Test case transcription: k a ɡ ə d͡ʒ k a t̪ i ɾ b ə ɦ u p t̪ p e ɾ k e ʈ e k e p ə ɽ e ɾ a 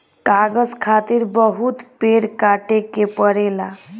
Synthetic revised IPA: k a ɡ ə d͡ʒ kʰ a t̪ i ɾ b ə ɦ u t̪ p e ɾ k a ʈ e k e p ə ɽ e l a